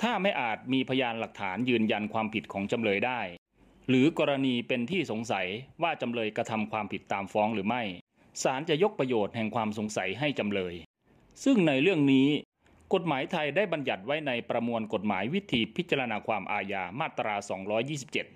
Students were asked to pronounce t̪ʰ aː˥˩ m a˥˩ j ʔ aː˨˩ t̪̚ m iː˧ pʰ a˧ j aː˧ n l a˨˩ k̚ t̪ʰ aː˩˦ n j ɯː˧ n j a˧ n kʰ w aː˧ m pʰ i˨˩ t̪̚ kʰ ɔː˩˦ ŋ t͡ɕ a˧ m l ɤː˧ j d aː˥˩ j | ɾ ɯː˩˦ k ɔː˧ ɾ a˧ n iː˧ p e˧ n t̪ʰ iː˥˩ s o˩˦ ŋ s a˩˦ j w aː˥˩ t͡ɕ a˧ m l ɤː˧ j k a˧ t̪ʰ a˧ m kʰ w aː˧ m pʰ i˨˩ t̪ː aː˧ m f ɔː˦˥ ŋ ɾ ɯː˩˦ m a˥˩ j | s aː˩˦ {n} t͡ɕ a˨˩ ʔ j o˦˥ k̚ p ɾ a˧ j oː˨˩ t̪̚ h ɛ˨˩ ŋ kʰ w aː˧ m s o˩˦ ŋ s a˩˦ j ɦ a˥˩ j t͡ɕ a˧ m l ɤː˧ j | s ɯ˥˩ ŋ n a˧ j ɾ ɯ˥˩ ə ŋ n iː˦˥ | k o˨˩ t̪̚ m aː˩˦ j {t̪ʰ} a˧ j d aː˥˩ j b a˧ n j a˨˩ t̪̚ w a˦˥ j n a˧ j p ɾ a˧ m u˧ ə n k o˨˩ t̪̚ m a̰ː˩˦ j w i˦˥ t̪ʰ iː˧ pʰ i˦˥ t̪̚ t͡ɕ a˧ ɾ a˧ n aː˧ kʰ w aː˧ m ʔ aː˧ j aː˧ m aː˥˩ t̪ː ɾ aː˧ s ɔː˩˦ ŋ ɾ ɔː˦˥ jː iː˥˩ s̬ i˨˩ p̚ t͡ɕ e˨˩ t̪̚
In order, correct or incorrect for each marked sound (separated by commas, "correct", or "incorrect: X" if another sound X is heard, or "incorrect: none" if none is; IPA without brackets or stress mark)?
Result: correct, correct